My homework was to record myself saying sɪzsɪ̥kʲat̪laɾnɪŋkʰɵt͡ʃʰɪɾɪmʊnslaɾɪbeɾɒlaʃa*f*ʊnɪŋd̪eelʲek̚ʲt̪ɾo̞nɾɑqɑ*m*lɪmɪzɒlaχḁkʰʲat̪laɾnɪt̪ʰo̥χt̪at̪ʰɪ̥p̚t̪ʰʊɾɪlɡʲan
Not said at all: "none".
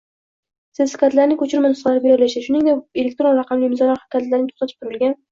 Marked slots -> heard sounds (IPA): ʃ, m

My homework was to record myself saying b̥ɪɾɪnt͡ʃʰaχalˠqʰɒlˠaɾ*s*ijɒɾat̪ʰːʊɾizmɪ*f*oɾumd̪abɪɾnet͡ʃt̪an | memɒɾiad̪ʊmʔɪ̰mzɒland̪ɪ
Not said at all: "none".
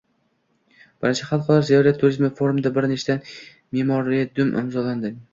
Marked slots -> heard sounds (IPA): z, f

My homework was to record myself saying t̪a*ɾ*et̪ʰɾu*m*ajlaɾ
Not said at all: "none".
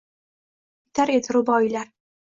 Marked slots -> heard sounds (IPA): ɾ, b

